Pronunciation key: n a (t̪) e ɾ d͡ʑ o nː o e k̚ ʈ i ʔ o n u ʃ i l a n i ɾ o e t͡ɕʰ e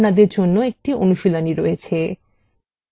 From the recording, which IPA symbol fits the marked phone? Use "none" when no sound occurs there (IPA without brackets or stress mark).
d̪